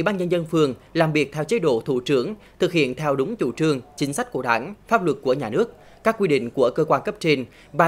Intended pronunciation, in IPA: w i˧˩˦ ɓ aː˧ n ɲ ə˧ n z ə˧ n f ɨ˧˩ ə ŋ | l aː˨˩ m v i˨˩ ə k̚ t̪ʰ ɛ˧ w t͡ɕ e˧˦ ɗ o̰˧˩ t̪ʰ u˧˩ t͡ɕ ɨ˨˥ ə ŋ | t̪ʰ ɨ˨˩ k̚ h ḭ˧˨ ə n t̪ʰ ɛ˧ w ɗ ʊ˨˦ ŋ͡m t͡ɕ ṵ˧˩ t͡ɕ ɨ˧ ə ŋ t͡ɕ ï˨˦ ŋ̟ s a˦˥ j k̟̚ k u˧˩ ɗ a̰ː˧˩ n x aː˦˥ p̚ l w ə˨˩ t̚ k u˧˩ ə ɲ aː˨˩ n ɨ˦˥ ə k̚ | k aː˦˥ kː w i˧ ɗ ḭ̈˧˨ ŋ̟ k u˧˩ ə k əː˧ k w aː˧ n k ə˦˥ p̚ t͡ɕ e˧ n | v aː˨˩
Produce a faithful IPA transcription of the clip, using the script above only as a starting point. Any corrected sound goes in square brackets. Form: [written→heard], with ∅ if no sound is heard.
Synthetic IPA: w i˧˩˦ ɓ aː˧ n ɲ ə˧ n z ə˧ n f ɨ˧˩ ə ŋ | l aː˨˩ m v i˨˩ ə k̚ t̪ʰ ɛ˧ w t͡ɕ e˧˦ ɗ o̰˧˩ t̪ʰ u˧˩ t͡ɕ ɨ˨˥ ə ŋ | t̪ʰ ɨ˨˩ k̚ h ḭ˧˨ ə n t̪ʰ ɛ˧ w ɗ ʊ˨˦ ŋ͡m t͡ɕ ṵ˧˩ t͡ɕ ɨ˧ ə ŋ t͡ɕ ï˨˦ ŋ̟ s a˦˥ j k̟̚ k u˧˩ ɗ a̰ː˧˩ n [x→f] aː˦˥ p̚ l w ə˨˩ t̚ k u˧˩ ə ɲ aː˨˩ n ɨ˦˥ ə k̚ | k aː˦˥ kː w i˧ ɗ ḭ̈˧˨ ŋ̟ k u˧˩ ə k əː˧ k w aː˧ n k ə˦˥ p̚ t͡ɕ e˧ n | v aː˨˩

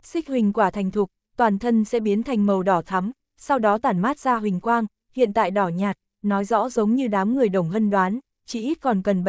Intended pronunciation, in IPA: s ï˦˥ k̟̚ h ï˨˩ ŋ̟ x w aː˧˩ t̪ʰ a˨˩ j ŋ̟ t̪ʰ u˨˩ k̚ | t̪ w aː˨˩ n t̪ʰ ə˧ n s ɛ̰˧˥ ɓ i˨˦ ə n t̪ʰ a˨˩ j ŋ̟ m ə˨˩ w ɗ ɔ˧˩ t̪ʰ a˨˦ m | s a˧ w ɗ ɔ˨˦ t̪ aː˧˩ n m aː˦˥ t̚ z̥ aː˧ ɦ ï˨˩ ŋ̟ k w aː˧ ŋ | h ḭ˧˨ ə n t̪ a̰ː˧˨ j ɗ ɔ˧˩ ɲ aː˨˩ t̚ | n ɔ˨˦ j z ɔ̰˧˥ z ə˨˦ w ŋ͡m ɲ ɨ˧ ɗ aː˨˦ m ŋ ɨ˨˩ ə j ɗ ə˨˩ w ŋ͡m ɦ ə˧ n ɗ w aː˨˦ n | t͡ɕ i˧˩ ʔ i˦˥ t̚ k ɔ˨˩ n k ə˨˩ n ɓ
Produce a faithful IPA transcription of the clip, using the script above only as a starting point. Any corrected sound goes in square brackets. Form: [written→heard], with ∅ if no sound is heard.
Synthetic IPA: s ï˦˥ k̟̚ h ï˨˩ ŋ̟ [x→k] w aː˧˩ t̪ʰ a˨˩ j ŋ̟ t̪ʰ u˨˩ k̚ | t̪ w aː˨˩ n t̪ʰ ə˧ n s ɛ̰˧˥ ɓ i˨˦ ə n t̪ʰ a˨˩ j ŋ̟ m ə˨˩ w ɗ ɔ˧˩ t̪ʰ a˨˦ m | s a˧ w ɗ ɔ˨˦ t̪ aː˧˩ n m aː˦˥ t̚ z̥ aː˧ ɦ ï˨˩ ŋ̟ k w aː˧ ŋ | h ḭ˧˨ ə n t̪ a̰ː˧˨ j ɗ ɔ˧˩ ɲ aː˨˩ t̚ | n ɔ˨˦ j z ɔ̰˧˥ z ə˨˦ w ŋ͡m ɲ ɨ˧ ɗ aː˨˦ m ŋ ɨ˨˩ ə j ɗ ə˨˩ w ŋ͡m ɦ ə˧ n ɗ w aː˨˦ n | t͡ɕ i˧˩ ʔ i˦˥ t̚ k ɔ˨˩ n k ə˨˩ n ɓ

